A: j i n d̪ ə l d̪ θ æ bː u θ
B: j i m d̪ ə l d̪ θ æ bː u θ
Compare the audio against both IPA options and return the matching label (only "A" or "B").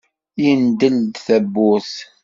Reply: A